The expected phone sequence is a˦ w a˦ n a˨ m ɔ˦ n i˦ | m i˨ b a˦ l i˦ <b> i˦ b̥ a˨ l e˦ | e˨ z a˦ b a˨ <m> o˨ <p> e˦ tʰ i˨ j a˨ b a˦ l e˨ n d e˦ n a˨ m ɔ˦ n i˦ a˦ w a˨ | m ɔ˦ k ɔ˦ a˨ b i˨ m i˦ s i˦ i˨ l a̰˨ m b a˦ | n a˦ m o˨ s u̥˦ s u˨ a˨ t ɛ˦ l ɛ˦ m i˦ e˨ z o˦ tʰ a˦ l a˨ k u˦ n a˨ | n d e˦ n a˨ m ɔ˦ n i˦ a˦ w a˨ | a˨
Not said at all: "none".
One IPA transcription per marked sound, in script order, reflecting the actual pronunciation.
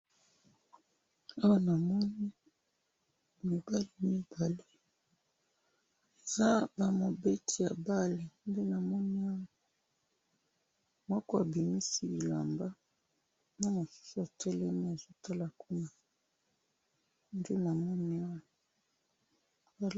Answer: m, m, b

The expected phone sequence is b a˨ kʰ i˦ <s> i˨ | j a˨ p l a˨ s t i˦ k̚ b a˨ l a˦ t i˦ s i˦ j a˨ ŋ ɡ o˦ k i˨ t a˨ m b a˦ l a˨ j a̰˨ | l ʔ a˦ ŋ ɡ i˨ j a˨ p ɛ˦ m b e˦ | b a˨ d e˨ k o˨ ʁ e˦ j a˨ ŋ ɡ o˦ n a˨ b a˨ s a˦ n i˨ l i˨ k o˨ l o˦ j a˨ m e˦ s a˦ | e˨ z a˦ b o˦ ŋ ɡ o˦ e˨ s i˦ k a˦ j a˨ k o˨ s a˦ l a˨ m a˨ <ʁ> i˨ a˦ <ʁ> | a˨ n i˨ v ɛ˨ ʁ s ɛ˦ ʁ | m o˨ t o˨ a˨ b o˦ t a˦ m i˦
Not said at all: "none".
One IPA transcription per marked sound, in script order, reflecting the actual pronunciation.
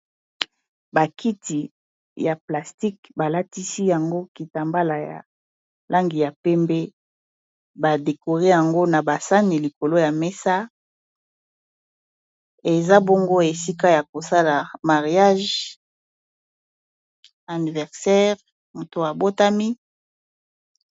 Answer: t, ʁ, ʒ

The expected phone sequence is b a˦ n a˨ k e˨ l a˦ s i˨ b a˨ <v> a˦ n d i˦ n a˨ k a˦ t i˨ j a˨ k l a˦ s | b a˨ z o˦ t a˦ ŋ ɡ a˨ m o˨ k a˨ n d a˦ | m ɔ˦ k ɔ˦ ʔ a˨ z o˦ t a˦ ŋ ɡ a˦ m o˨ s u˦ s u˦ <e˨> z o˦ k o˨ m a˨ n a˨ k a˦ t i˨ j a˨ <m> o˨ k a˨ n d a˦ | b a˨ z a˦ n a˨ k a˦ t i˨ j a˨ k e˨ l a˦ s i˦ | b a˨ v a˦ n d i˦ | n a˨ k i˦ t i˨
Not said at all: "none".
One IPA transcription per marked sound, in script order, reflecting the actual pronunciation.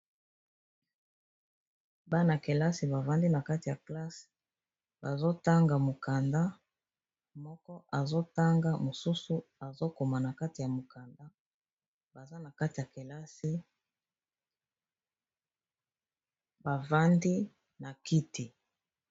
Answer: v, a˨, m

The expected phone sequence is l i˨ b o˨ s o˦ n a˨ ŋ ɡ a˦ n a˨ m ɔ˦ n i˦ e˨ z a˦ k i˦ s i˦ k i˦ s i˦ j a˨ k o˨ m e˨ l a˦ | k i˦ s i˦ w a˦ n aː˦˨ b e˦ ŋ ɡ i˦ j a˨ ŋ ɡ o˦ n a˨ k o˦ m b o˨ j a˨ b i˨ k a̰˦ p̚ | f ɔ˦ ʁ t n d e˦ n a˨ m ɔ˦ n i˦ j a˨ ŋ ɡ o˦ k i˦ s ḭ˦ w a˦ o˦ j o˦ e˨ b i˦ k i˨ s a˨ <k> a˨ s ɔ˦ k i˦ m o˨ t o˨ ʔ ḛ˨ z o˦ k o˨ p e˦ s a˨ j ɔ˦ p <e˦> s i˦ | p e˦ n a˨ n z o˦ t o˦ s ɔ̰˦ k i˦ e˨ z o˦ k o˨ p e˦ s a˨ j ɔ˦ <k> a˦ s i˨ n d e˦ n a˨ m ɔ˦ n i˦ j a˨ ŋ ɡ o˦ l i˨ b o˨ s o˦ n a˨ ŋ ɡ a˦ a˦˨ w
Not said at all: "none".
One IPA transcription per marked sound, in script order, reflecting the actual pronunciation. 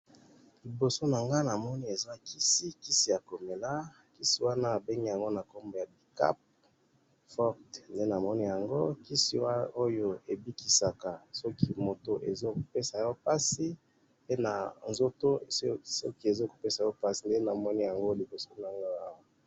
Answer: k, a˦, p

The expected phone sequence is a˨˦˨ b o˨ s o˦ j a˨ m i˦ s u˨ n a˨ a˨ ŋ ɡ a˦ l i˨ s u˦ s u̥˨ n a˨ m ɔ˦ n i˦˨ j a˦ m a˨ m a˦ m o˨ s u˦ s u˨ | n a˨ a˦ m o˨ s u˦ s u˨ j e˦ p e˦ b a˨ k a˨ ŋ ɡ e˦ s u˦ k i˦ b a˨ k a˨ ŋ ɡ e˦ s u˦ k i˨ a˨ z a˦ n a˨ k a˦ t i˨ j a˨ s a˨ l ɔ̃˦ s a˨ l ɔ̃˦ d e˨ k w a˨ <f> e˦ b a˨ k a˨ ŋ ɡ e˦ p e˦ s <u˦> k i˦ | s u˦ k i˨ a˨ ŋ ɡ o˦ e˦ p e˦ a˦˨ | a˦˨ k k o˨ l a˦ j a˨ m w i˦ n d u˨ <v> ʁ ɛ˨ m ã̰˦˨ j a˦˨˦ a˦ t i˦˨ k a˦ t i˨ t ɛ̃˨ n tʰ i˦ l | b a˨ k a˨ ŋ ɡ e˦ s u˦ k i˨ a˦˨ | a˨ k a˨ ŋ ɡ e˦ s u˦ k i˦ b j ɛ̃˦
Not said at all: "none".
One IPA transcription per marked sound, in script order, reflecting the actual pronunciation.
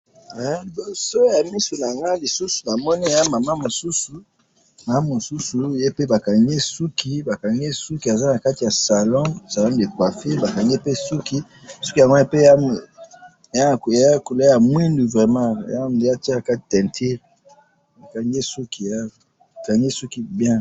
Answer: f, u˦, v

